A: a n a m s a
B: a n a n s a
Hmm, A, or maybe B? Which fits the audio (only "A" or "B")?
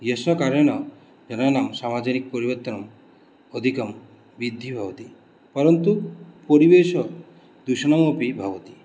A